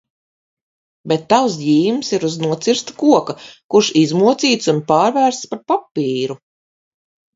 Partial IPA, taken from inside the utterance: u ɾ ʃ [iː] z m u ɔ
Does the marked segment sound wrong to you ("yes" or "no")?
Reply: yes